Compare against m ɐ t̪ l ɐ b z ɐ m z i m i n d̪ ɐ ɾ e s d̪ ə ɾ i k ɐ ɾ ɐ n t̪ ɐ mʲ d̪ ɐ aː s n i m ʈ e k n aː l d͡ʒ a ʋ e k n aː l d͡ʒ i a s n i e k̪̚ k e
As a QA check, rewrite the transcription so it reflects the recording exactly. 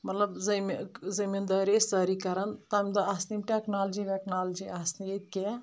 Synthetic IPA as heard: m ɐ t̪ l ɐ b z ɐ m z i m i n d̪ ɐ ɾ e s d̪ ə ɾ i k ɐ ɾ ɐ n t̪ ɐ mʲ d̪ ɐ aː s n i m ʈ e k n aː l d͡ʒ i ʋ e k n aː l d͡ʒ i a s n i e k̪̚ k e